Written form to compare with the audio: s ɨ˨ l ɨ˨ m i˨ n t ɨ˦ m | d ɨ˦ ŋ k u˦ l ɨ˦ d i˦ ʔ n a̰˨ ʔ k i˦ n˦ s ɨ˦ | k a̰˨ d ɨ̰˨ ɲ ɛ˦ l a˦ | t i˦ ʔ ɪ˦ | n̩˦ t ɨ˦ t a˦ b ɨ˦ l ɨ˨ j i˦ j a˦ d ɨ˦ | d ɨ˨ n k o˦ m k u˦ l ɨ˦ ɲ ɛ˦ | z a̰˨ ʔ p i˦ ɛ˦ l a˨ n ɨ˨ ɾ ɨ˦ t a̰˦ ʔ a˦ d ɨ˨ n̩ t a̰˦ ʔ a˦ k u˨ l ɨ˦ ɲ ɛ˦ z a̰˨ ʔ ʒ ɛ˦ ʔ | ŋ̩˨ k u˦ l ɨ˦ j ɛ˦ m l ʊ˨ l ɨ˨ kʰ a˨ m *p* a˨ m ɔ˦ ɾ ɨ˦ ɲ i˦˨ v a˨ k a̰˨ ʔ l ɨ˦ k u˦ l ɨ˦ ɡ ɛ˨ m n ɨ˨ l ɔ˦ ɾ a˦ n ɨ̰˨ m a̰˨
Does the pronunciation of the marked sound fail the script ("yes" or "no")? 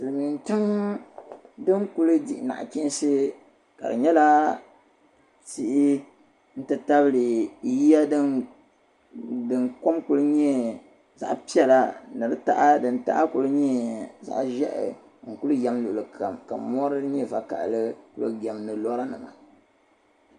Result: yes